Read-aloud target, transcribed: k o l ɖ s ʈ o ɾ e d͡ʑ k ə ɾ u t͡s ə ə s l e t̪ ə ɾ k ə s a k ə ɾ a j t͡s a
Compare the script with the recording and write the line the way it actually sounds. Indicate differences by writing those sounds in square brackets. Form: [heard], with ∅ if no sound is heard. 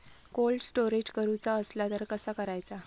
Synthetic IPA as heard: k o l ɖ s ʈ o ɾ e d͡ʑ k ə ɾ u t͡s [a] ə s l [a] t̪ ə ɾ k ə s a k ə ɾ a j t͡s a